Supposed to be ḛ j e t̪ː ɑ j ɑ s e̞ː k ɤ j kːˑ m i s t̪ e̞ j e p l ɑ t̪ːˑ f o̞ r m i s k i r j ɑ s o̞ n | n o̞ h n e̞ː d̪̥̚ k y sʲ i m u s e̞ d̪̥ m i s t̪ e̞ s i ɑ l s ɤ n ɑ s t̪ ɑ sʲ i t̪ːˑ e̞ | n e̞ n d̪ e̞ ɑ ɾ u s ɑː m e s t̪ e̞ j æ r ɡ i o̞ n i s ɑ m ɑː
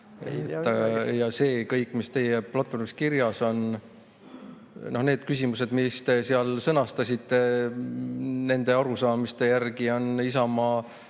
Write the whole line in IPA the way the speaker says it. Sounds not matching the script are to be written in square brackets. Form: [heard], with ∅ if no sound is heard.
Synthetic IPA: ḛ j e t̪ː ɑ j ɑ s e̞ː k ɤ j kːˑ m i s t̪ e̞ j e p l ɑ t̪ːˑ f o̞ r m i s k i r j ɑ s o̞ n | n o̞ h n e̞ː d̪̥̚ k y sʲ i m u s e̞ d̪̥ m i s t̪ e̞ s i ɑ l s ɤ n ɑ s t̪ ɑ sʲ i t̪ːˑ e̞ | n e̞ n d̪ e̞ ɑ ɾ u s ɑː m [i] s t̪ e̞ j æ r ɡ i o̞ n i s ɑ m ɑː